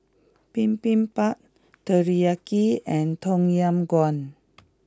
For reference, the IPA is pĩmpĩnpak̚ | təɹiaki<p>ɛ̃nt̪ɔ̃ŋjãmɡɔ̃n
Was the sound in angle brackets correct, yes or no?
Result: no